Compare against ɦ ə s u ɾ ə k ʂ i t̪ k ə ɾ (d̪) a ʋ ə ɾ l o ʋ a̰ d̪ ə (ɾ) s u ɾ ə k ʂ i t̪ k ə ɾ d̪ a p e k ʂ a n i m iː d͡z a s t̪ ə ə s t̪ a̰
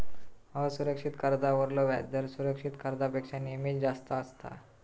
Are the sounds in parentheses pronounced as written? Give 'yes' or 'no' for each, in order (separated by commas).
yes, yes